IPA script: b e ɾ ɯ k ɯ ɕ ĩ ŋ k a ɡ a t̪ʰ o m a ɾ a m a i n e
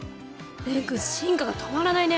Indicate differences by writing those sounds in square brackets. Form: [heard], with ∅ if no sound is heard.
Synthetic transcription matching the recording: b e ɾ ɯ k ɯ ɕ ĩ ŋ k a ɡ a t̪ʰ o m a ɾ a [n] a i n e